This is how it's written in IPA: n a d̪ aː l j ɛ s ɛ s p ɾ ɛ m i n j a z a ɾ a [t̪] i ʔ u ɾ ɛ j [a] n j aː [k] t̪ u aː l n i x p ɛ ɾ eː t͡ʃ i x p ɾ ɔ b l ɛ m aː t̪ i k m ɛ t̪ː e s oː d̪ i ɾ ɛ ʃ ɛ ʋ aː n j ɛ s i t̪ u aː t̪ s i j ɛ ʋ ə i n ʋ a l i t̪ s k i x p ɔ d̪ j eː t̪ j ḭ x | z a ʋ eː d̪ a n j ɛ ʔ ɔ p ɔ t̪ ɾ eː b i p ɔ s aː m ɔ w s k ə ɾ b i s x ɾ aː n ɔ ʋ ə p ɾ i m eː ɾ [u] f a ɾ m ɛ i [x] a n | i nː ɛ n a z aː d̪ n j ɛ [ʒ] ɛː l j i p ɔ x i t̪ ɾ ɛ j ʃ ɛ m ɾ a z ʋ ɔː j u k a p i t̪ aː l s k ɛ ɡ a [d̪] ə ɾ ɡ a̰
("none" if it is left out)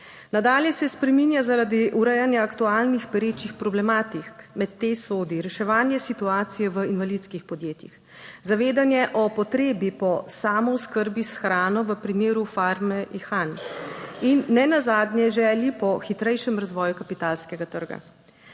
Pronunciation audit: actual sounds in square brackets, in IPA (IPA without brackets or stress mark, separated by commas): d̪, a, k, u, x, ʒ, t̪